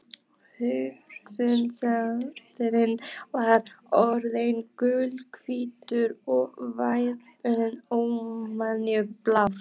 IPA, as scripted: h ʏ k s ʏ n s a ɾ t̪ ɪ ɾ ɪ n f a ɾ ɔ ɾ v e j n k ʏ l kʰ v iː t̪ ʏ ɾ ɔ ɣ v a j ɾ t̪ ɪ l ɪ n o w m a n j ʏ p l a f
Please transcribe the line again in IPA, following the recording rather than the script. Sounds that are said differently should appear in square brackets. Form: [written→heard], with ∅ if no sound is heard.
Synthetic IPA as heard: h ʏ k s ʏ n s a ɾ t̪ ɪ ɾ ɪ n [f→v] a ɾ ɔ ɾ [v→ð] e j n k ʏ l kʰ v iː t̪ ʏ ɾ ɔ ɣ v a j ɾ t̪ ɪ [l→ɾ] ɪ n o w m a n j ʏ p l a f